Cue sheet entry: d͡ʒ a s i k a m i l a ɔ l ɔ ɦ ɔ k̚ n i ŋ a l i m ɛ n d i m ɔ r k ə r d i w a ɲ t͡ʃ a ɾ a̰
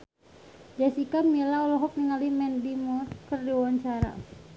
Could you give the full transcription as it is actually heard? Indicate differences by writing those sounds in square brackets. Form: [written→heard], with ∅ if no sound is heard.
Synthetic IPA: d͡ʒ a s i k a m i l a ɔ l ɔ ɦ ɔ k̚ n i ŋ a l i m ɛ n d i m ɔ r k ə r d i w a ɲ t͡ʃ a ɾ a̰